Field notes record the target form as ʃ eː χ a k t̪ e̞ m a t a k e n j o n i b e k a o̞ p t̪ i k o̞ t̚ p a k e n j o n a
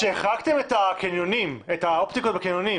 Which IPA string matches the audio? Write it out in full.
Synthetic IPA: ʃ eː χ a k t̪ e̞ m e t a k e n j o n i m e t a o̞ p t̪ i k o̞ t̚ b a k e n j o n i